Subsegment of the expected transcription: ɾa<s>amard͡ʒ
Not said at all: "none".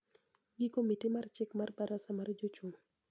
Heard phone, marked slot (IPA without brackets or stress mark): s